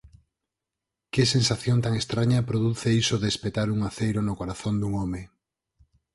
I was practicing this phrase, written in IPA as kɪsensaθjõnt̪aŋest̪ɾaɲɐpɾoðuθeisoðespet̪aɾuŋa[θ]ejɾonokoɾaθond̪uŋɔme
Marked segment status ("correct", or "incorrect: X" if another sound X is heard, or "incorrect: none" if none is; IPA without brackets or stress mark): correct